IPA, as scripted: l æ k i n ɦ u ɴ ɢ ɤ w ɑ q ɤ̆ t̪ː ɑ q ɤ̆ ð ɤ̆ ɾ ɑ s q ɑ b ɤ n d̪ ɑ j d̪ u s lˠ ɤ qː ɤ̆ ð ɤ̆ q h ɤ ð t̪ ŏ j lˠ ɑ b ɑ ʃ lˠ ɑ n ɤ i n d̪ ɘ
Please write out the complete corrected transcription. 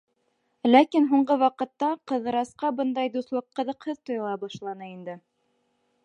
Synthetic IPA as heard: l æ k i n ɦ u ɴ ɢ ɤ w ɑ q ɤ̆ t̪ː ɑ q ɤ̆ ð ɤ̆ ɾ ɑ s q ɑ b ɤ n d̪ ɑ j d̪ u s lˠ ɤ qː ɤ̆ ð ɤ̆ q h ɤ ð t̪ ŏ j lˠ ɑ b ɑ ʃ lˠ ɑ n ɤ i n d̪ ɘ